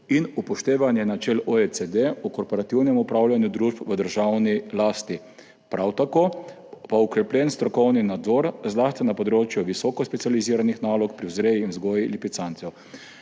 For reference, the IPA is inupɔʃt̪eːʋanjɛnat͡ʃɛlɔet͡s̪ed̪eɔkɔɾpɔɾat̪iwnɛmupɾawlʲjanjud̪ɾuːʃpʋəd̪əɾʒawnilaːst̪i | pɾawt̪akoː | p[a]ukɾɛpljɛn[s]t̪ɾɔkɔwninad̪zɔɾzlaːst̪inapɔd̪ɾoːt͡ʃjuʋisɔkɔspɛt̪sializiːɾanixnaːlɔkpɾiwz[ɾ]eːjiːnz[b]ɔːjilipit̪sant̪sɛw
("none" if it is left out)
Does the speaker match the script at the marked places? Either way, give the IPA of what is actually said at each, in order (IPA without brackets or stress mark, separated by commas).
a, s, ɾ, ɡ